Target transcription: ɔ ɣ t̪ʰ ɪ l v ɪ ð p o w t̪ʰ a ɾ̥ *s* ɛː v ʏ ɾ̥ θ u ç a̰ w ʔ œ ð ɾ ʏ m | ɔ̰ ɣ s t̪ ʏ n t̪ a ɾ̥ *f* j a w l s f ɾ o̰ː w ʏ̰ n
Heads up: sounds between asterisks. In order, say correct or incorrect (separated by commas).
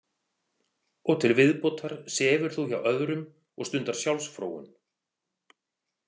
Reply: correct, incorrect